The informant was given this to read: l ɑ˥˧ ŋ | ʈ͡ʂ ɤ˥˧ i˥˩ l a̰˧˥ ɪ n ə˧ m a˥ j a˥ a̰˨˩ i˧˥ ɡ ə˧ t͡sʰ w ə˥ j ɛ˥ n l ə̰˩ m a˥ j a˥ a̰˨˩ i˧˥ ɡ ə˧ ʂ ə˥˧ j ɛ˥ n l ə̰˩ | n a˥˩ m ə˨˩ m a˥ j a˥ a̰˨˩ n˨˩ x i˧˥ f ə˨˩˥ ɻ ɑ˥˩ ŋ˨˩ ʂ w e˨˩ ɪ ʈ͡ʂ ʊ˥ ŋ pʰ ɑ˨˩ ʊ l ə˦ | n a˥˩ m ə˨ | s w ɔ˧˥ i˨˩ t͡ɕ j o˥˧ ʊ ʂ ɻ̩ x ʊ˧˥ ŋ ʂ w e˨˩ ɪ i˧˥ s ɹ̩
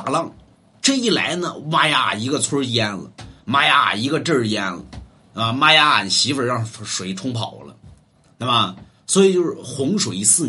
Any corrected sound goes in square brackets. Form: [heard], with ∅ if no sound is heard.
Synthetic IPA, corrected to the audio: l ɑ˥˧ ŋ | ʈ͡ʂ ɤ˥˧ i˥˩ l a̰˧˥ ɪ n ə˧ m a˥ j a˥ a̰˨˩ i˧˥ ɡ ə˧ t͡sʰ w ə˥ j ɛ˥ n l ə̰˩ m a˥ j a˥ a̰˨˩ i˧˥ ɡ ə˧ [ʈ͡ʂ] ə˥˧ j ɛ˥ n l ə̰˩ | n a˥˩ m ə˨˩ m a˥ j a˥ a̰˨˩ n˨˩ [ɕ] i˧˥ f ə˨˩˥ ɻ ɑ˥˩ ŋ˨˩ ʂ w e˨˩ ɪ [ʈ͡ʂʰ] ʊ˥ ŋ pʰ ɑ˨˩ ʊ l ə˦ | n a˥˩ m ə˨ | s w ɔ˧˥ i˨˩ t͡ɕ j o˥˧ ʊ ʂ ɻ̩ x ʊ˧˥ ŋ ʂ w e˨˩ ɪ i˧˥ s ɹ̩